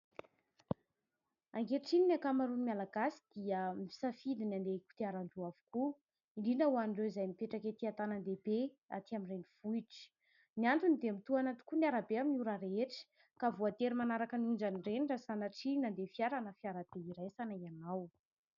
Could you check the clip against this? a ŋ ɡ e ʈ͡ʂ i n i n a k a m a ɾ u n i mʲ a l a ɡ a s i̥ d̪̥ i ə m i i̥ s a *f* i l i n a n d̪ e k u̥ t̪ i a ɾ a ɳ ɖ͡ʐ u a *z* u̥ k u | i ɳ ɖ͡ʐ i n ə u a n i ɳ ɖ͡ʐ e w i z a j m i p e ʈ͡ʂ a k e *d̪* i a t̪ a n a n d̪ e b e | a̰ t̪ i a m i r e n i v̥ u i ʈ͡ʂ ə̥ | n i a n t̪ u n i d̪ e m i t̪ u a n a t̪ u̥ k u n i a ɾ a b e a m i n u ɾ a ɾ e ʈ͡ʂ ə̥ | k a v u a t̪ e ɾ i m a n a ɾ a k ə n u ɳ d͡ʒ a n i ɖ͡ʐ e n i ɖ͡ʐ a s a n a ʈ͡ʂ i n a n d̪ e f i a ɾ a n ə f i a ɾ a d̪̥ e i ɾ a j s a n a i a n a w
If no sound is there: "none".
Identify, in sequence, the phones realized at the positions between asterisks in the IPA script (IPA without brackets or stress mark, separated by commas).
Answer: f, v, t̪